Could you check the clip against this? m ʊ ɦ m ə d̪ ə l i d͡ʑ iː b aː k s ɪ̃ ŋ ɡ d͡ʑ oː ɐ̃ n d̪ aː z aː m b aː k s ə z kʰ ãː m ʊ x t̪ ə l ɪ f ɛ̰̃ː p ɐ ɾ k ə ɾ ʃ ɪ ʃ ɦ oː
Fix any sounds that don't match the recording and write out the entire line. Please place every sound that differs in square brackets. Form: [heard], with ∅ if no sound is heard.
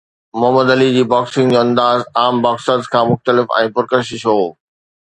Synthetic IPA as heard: m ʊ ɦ m ə d̪ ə l i d͡ʑ iː b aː k s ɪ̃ ŋ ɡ d͡ʑ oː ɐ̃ n d̪ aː z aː m b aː k s ə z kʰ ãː m ʊ x t̪ ə l ɪ f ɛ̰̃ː p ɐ ɾ k ə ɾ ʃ ɪ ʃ ɦ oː